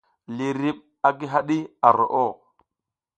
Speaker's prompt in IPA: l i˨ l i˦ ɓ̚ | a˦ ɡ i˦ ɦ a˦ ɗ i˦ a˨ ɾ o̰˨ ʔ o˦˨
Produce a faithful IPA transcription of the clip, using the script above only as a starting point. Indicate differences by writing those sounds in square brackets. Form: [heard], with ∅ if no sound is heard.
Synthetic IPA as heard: l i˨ [ɾ] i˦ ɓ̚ | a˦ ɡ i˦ ɦ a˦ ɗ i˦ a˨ ɾ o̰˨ ʔ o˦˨